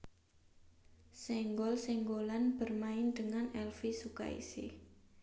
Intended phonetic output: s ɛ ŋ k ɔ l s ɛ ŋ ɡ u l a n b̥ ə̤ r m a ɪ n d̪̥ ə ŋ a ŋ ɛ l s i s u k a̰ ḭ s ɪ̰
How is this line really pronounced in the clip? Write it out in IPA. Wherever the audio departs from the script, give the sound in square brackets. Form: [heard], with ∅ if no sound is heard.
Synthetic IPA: s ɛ ŋ [ɡ] ɔ l s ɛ ŋ ɡ [o] l a n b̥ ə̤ r m a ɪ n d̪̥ ə ŋ a [n] ɛ l [f] i s u k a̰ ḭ s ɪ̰